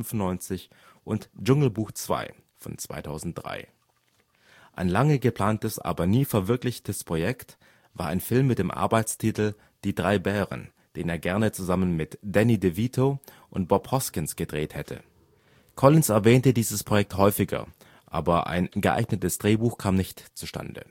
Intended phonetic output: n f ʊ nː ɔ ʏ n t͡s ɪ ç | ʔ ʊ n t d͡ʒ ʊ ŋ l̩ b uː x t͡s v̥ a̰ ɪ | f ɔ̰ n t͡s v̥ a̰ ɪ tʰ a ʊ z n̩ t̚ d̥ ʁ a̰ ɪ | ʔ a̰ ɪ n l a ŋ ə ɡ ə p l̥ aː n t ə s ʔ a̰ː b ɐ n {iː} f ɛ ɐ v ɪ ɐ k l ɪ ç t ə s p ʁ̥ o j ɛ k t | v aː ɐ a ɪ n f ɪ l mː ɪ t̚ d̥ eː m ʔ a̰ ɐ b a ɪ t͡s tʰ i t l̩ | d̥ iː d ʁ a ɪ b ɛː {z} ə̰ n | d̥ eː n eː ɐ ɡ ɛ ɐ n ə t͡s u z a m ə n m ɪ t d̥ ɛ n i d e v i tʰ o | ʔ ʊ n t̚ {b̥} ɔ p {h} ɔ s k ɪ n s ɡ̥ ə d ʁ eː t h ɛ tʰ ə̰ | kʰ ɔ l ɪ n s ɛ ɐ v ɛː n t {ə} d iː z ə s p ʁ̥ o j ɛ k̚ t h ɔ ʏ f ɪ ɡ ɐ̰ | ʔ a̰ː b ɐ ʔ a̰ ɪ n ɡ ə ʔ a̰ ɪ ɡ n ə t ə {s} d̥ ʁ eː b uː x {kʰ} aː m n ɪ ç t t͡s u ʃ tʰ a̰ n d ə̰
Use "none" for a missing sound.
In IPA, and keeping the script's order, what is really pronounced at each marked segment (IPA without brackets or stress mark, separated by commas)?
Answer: iː, ʁ, b̥, h, ə, s, kʰ